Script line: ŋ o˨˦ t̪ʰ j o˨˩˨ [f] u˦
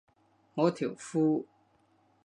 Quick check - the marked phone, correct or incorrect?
correct